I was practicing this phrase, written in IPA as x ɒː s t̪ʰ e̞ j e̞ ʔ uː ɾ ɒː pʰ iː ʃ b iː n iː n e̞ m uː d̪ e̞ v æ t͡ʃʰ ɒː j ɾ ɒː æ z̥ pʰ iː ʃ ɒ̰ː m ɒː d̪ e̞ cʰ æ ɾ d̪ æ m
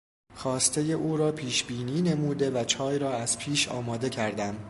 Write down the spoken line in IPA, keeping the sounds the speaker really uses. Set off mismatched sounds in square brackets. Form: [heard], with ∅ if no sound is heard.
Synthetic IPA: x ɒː s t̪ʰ e̞ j e̞ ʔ uː ɾ ɒː pʰ iː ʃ b iː n iː n e̞ m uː d̪ e̞ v æ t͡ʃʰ ɒː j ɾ ɒː æ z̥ pʰ iː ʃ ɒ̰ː m ɒː d̪ e̞ cʰ æ ɾ d̪ æ m